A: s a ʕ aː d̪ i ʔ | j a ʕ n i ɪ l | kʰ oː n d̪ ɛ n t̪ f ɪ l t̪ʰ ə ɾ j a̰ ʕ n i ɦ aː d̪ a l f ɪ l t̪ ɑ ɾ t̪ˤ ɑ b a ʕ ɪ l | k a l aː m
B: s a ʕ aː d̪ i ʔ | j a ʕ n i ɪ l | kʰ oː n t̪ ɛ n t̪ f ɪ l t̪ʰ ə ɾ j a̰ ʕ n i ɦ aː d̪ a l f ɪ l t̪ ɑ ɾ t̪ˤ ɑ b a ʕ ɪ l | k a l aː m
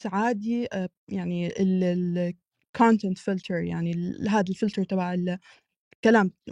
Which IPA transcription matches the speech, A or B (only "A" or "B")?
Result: B